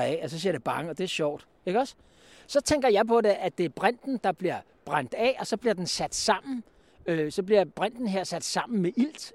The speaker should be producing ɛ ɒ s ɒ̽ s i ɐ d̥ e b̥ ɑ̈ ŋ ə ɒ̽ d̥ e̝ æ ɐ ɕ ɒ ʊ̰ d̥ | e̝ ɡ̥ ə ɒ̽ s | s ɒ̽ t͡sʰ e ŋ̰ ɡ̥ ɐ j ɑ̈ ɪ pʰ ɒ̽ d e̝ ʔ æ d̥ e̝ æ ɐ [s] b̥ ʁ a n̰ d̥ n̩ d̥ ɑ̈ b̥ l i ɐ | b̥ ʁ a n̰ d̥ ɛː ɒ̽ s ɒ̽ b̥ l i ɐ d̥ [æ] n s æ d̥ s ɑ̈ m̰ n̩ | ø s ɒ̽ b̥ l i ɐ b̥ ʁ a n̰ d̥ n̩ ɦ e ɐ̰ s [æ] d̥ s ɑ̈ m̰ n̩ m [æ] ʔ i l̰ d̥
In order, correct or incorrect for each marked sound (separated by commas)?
incorrect, incorrect, correct, incorrect